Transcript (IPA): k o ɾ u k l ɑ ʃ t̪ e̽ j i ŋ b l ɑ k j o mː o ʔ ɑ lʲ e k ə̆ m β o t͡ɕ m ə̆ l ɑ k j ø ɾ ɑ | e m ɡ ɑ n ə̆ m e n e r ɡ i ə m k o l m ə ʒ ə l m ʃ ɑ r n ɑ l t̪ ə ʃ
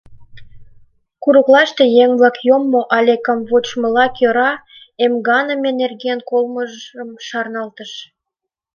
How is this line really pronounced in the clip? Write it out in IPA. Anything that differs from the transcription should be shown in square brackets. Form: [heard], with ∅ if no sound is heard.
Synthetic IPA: k [u] ɾ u k l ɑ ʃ t̪ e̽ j [e] ŋ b l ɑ k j o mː o ʔ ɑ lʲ e k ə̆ m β o t͡ɕ m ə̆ l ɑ k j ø ɾ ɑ | e m ɡ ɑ n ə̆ m e n e r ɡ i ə [n] k o l m ə ʒ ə [∅] m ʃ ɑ r n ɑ l t̪ ə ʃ

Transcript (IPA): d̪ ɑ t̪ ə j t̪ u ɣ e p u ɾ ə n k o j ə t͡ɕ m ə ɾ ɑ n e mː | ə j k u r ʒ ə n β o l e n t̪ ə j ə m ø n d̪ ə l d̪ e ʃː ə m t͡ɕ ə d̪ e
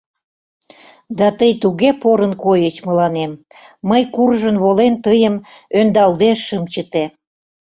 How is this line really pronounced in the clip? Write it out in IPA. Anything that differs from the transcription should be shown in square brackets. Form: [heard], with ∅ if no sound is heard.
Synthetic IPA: d̪ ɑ t̪ ə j t̪ u ɣ e p [o] ɾ ə n k o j ə t͡ɕ m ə [l] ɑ n e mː | ə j k u r ʒ ə n β o l e n t̪ ə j ə m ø n d̪ [ɑ] l d̪ e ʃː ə m t͡ɕ ə [t̪] e

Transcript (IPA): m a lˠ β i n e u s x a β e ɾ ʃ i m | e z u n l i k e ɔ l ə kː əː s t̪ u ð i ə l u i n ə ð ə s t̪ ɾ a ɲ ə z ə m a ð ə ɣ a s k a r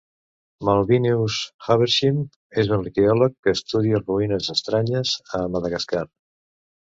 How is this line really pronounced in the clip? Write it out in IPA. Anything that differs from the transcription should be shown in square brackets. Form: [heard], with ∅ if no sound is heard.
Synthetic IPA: m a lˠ β i n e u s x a β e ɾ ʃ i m | e z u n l i k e ɔ l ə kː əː s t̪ u ð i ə [r] u i n ə [z] ə s t̪ ɾ a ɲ ə z ə m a ð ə ɣ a s k a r

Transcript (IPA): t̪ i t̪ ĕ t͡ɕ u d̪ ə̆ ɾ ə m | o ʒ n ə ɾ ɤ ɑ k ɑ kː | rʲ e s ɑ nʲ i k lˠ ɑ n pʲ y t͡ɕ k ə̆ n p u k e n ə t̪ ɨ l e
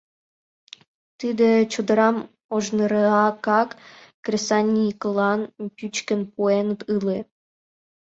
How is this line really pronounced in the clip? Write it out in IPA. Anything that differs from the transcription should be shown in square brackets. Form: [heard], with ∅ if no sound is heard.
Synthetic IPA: t̪ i [d̪] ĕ t͡ɕ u d̪ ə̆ ɾ [ɑ] m | o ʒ n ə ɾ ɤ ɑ k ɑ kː | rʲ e s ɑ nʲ i k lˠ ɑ n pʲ y t͡ɕ k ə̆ n p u [∅] e n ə t̪ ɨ l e

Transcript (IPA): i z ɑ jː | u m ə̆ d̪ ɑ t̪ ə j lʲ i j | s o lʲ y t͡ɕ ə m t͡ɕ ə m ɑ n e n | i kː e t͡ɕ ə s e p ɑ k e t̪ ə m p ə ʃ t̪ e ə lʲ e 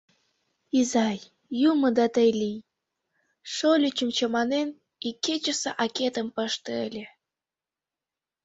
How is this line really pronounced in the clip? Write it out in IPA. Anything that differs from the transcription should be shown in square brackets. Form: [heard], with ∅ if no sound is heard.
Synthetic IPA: i z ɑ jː | u m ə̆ d̪ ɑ t̪ ə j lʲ i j | [ʃ] o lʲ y t͡ɕ ə m t͡ɕ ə m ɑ n e n | i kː e t͡ɕ ə s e [ʔ] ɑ k e t̪ ə m p ə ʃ t̪ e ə lʲ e

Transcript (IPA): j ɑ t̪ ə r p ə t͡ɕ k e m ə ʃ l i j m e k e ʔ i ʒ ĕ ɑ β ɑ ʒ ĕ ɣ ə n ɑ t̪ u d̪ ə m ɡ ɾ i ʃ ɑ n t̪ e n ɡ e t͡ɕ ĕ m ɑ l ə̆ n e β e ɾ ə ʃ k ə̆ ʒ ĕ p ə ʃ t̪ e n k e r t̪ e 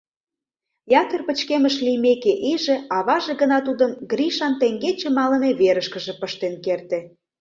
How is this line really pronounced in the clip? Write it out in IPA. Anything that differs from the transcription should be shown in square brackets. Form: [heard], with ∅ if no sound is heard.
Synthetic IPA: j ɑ t̪ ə r p ə t͡ɕ k e m ə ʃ l i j m e k e ʔ i ʒ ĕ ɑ β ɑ ʒ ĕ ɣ ə n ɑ t̪ u d̪ ə m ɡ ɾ i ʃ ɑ n t̪ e [ŋ] ɡ e t͡ɕ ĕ m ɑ l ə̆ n e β e ɾ ə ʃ k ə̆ ʒ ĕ p ə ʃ t̪ e n k e r t̪ e

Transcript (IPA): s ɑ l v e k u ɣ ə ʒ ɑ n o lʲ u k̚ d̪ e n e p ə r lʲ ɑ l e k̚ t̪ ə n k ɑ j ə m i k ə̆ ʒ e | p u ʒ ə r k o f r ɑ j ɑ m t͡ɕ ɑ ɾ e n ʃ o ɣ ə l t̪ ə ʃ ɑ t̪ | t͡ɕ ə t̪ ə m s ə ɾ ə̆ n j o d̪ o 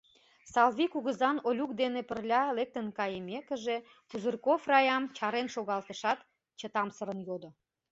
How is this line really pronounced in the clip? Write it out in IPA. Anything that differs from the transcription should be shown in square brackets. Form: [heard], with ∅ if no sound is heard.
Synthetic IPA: s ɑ l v [i] k u ɣ ə [z] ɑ n o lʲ u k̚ d̪ e n e p ə r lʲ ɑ l e k̚ t̪ ə n k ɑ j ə m [e] k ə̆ ʒ e | p u [z] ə r k o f r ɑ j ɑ m t͡ɕ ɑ ɾ e n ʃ o ɣ [ɑ] l t̪ ə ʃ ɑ t̪ | t͡ɕ ə t̪ [ɑ] m s ə ɾ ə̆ n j o d̪ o

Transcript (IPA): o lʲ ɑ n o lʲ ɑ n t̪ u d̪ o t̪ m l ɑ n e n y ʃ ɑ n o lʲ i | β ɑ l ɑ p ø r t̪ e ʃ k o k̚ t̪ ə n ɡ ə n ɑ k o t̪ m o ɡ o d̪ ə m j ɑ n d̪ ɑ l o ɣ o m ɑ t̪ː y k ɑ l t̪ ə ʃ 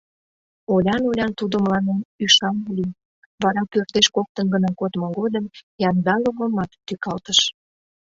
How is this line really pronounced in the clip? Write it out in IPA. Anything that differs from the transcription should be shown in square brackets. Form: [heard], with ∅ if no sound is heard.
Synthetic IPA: o lʲ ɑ n o lʲ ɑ n t̪ u d̪ o [∅] m l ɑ n e n y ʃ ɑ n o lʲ i | β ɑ [ɾ] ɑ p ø r t̪ e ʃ k o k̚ t̪ ə n ɡ ə n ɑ k o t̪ m o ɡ o d̪ ə m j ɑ n d̪ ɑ l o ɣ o m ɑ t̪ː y k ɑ l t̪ ə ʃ

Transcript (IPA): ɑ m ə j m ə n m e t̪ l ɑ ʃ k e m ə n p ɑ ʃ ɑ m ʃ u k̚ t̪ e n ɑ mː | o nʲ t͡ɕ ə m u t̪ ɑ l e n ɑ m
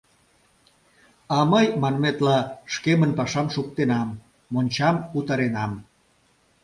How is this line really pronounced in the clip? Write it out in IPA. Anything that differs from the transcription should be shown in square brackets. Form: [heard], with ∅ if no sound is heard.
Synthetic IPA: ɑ m ə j m [ɑ] n m e t̪ l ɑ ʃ k e m ə n p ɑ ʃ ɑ m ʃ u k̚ t̪ e n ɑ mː | o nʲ t͡ɕ [ɑ] m u t̪ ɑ [ɾ] e n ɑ m

